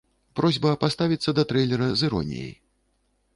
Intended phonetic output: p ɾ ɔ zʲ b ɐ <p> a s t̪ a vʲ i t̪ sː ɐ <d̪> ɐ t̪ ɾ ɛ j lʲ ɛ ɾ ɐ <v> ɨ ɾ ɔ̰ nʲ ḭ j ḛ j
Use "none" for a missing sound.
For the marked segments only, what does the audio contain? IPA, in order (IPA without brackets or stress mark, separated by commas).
p, d̪, z